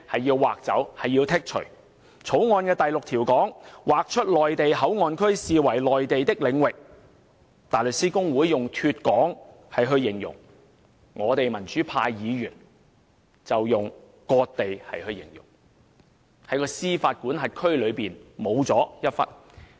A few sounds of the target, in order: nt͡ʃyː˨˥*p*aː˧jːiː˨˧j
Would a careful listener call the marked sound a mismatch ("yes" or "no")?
yes